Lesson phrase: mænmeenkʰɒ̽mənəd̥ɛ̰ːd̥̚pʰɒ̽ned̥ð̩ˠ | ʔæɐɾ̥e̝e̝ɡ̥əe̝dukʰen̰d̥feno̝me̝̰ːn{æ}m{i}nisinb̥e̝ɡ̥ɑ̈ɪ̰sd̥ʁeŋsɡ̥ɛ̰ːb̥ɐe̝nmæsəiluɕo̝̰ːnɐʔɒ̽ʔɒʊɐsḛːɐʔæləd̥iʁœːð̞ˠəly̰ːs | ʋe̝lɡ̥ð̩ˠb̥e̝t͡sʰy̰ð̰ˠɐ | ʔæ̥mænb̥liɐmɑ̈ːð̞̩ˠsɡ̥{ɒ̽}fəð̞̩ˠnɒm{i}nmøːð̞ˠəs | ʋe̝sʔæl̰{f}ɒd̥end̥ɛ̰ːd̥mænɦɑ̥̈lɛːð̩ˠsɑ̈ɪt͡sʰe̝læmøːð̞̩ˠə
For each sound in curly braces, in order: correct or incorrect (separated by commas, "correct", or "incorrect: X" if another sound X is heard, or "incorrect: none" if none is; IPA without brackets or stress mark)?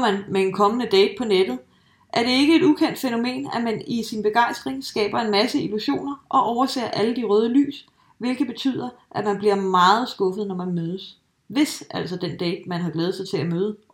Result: correct, incorrect: æ, incorrect: ɔ̽, incorrect: æ, incorrect: s